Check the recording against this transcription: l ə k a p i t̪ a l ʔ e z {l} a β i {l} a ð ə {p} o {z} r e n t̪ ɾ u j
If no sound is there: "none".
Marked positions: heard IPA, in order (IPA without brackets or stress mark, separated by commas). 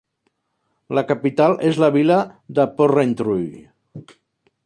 l, l, p, none